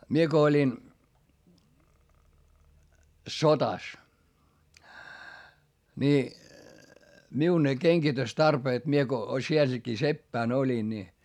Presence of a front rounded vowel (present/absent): present